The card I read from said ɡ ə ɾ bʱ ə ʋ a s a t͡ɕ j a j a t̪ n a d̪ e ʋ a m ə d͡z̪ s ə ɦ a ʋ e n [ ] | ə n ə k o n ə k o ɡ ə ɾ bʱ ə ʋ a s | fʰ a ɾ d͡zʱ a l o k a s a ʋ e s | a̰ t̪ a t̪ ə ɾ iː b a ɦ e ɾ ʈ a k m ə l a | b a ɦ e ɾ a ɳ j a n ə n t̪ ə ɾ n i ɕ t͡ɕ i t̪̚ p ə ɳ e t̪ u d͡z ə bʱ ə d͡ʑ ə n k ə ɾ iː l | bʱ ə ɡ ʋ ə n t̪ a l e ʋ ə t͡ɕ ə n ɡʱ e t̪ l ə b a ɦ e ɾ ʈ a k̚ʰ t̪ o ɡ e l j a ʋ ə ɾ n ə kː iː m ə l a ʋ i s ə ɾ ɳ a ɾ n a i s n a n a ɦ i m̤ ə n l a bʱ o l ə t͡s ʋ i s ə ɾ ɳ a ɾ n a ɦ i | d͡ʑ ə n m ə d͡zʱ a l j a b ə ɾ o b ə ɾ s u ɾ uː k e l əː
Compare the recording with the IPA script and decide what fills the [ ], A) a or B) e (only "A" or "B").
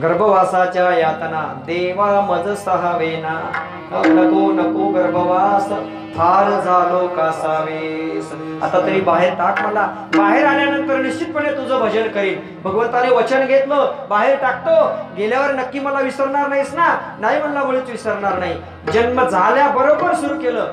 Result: A